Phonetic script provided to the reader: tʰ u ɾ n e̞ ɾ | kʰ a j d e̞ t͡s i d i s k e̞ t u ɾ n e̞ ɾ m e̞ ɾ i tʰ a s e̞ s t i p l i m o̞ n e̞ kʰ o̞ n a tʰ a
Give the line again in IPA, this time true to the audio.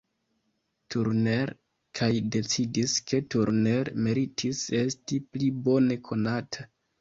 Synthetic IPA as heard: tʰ u ɾ n e̞ ɾ | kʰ a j d e̞ t͡s i d i s k e̞ t u ɾ n e̞ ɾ m e̞ ɾ i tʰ i s e̞ s t i p l i b o̞ n e̞ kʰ o̞ n a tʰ a